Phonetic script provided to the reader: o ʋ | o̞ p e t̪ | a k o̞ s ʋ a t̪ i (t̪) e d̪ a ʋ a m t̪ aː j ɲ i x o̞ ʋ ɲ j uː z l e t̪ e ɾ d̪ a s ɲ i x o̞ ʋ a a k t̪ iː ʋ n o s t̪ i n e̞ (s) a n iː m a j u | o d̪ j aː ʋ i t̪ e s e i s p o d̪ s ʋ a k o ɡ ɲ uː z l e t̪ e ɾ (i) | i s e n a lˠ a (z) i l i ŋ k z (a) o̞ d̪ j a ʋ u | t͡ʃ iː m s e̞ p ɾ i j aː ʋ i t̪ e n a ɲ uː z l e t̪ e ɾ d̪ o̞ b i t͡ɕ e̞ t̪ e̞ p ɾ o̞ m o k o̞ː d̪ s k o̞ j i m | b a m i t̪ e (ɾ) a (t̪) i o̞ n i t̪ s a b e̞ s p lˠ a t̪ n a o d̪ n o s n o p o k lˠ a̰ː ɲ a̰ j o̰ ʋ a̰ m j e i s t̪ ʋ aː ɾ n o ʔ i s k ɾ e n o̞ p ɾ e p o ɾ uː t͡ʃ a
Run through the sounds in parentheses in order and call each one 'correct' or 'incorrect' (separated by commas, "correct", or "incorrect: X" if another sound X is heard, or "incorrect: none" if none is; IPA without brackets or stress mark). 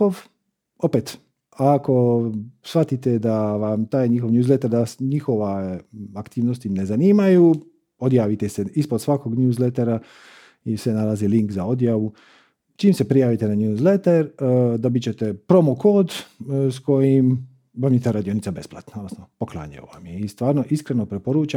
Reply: correct, incorrect: z, incorrect: a, correct, correct, correct, incorrect: d̪